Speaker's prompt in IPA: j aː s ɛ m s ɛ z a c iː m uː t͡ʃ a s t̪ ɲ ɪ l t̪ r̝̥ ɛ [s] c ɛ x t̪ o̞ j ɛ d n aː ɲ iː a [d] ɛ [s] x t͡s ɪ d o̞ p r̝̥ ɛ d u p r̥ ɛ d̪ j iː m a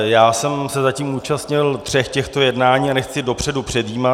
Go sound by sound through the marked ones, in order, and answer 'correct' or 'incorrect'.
incorrect: x, incorrect: n, incorrect: none

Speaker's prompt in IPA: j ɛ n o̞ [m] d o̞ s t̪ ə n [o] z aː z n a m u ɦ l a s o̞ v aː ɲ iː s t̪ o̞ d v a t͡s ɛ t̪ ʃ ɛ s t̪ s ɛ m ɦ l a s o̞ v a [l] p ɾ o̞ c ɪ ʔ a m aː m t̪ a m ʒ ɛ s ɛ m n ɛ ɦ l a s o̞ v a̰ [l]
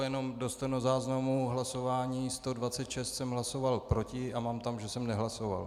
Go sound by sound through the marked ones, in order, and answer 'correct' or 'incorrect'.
correct, correct, correct, correct

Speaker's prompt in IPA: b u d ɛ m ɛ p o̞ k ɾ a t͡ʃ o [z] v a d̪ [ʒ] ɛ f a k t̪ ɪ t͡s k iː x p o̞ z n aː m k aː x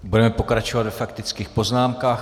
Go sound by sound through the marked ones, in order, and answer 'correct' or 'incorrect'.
incorrect: none, incorrect: v

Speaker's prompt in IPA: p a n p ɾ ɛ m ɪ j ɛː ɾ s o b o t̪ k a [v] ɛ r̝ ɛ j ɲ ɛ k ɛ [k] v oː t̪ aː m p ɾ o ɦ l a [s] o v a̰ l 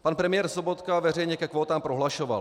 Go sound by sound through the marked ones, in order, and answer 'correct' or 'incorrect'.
correct, correct, incorrect: ʃ

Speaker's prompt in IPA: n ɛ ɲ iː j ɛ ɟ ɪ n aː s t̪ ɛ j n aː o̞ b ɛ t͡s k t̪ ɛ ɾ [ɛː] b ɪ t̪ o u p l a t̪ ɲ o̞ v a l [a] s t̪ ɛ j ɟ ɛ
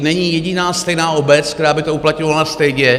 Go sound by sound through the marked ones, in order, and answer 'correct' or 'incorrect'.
incorrect: aː, correct

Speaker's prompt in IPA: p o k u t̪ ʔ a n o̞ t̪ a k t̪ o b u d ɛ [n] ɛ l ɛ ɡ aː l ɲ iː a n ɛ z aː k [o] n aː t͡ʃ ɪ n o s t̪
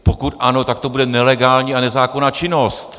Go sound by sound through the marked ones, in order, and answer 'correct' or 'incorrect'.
correct, correct

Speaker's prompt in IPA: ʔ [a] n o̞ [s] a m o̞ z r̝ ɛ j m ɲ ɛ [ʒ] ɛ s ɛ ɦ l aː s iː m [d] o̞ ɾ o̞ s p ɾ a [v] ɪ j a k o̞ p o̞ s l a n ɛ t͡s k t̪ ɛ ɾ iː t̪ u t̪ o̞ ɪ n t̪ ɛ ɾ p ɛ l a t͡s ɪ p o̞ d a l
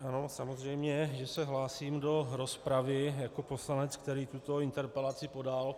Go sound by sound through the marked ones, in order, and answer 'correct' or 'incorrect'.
correct, correct, correct, correct, correct

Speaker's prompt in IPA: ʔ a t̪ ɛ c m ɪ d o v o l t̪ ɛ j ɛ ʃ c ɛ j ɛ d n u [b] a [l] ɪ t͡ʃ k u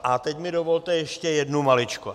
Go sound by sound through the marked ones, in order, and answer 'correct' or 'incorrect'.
incorrect: m, correct

